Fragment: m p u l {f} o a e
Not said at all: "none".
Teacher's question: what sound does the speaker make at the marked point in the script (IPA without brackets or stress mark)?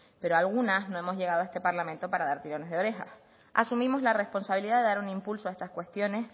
s